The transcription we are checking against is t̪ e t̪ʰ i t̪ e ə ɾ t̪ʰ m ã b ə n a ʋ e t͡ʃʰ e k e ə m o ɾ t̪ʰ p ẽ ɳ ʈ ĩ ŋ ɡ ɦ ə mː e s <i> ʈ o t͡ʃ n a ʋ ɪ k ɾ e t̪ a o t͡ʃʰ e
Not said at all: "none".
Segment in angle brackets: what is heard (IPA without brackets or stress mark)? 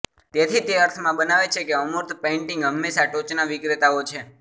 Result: a